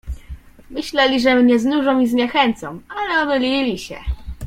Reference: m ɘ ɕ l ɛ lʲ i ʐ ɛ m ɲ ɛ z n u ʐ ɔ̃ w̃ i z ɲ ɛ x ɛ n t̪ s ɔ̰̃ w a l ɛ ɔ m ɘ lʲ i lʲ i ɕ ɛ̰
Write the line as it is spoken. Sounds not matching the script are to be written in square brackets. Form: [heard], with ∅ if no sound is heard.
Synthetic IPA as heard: m ɘ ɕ l ɛ lʲ i ʐ ɛ m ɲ ɛ z n u ʐ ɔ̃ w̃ i z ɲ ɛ x ɛ n t̪ s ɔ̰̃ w a l ɛ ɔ m ɘ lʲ i lʲ i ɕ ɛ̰